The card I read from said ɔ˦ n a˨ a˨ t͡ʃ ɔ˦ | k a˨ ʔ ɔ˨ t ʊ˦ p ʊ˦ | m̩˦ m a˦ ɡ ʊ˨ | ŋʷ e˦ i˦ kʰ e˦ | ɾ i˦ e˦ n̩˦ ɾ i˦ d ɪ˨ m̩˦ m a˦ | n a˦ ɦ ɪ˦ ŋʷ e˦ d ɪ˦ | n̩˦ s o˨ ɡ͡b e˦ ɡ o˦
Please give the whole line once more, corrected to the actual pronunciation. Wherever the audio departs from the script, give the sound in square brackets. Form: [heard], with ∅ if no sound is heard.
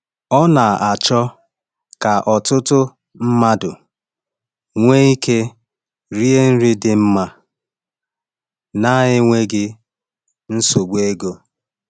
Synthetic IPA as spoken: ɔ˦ n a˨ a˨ t͡ʃ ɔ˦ | k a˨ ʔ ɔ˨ t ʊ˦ [t] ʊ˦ | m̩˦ m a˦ [d] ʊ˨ | ŋʷ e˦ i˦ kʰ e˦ | ɾ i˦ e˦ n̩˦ ɾ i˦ d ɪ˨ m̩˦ m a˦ | n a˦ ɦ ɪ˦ ŋʷ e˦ [ɡ] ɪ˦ | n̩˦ s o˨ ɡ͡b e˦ ɡ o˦